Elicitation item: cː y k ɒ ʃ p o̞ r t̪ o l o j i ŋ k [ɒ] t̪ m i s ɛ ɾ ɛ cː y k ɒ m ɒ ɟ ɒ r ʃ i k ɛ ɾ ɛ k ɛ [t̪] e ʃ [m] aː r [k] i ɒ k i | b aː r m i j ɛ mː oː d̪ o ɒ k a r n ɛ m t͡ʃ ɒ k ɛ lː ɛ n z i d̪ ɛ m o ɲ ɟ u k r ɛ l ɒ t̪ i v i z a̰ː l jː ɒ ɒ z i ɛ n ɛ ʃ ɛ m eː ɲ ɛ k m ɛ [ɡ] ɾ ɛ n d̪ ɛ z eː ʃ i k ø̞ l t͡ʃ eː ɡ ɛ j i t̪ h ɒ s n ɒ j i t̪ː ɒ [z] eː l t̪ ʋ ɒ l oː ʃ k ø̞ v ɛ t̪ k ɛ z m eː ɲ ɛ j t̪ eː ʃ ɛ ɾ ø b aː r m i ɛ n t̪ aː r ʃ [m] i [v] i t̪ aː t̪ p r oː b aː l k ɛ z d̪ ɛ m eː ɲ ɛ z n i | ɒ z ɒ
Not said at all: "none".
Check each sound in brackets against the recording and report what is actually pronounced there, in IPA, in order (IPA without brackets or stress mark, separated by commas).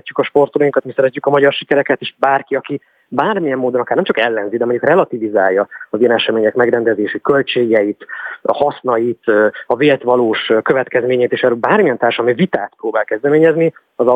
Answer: ɒ, t̪, b, k, ɡ, v, m, v